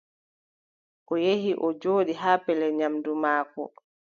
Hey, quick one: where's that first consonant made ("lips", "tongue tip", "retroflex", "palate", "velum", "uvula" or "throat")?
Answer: throat